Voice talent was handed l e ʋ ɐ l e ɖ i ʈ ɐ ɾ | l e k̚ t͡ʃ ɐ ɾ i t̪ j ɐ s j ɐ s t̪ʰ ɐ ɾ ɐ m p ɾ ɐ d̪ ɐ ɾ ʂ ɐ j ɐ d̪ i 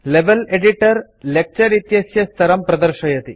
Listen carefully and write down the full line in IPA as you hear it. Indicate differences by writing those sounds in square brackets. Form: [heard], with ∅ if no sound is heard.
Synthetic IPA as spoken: l e ʋ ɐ l e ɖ i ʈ ɐ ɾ | l e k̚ t͡ʃ ɐ ɾ i t̪ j ɐ s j ɐ s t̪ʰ ɐ ɾ ɐ m p ɾ ɐ d̪ ɐ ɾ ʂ ɐ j ɐ [t̪] i

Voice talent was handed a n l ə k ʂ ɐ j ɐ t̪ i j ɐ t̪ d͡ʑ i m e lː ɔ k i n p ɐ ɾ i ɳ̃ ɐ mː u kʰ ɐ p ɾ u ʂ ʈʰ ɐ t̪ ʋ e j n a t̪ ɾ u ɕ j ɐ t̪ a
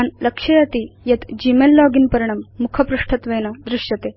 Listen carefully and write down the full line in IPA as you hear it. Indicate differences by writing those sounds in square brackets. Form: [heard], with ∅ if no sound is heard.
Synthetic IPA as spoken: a n l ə k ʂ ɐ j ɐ t̪ i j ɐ t̪ d͡ʑ i m e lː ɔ [ɡ] i n p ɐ ɾ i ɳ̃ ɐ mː u kʰ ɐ p ɾ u ʂ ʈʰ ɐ t̪ ʋ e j n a [d̪] ɾ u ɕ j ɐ t̪ [e]

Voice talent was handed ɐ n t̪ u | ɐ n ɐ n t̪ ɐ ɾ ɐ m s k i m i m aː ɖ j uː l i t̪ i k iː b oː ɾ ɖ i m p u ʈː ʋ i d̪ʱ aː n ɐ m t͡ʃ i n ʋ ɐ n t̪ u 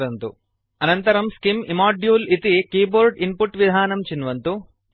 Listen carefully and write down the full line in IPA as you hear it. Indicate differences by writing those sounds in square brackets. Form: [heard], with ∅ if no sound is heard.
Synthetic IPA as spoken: ɐ n t̪ u | ɐ n ɐ n t̪ ɐ ɾ ɐ m s k i m i m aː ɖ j uː l i t̪ i k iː b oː ɾ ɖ i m p u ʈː ʋ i d̪ʱ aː n ɐ m t͡ʃ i n ʋ ɐ n t̪ u

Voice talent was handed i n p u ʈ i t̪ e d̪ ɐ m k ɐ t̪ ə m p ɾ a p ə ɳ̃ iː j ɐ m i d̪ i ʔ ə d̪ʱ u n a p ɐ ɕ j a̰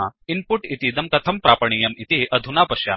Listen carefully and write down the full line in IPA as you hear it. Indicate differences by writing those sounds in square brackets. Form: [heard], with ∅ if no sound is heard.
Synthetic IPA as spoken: i n p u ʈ i t̪ [i] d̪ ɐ m k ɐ [t̪ʰ] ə m p ɾ a p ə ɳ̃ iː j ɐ m i [t̪] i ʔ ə d̪ʱ u n a p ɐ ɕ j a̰

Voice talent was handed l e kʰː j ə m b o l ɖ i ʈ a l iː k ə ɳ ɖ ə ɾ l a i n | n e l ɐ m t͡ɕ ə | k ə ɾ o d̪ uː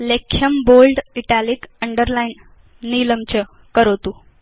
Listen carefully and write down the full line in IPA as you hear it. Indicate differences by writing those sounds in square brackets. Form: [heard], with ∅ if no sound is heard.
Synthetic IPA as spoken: l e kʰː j ə m b o l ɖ i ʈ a l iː k ə ɳ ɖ ə ɾ l a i n | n [i] l [ə] m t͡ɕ ə | k ə ɾ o [t̪] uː

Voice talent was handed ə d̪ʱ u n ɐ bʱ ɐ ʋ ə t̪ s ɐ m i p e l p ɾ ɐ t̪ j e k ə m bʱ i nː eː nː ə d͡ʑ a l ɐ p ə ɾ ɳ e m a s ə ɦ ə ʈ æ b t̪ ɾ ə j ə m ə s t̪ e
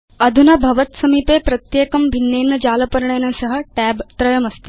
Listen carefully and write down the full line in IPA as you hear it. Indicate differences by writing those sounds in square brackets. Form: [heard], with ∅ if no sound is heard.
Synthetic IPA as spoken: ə d̪ʱ u n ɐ bʱ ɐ ʋ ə t̪ s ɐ m i p e [∅] p ɾ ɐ t̪ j e k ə m bʱ i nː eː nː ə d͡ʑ a l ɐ p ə ɾ ɳ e [n] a s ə ɦ ə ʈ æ b t̪ ɾ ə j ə m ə s t̪ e

